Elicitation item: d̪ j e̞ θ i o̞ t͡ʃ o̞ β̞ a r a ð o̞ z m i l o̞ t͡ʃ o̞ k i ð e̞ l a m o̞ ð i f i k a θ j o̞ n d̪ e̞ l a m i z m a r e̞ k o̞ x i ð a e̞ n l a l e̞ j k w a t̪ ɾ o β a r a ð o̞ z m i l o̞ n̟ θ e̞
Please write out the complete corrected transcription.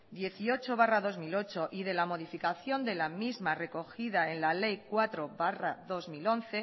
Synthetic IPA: d̪ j e̞ θ i o̞ t͡ʃ o̞ β̞ a r a ð o̞ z m i l o̞ t͡ʃ o̞ ʔ i ð e̞ l a m o̞ ð i f i k a θ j o̞ n d̪ e̞ l a m i z m a r e̞ k o̞ x i ð a e̞ n l a l e̞ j k w a t̪ ɾ o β a r a ð o̞ z m i l o̞ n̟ θ e̞